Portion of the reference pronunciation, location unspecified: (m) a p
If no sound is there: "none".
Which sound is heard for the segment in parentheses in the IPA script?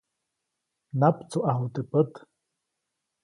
n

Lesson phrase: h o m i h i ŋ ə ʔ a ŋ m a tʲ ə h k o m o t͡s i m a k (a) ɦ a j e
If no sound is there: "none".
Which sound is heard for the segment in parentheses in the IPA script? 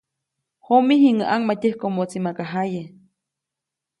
a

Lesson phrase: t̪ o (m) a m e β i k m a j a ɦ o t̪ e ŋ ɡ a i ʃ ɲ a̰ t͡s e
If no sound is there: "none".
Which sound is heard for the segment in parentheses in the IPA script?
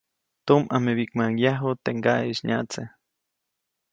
m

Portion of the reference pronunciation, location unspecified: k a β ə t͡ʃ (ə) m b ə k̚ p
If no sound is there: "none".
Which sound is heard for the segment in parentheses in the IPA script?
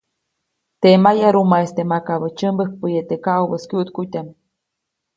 ə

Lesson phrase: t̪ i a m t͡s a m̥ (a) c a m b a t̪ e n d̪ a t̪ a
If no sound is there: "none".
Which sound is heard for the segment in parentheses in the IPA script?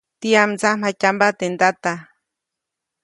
a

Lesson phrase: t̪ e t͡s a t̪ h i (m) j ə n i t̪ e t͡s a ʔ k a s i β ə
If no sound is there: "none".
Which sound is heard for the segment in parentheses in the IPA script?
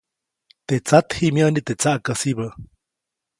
m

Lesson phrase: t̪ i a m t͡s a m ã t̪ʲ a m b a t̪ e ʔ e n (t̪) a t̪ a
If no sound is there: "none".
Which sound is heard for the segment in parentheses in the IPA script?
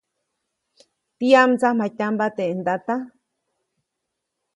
d̪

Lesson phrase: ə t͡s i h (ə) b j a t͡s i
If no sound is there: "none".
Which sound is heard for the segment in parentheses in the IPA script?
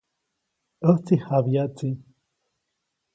a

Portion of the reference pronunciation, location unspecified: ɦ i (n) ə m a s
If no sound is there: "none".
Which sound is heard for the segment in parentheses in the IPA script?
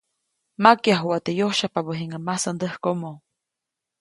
ŋ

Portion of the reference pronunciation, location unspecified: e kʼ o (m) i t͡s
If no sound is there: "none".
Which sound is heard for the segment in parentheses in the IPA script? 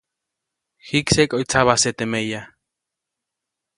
none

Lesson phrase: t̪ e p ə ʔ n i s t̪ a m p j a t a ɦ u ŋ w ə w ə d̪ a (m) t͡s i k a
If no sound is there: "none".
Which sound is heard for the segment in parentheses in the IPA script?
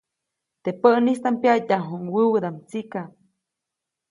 m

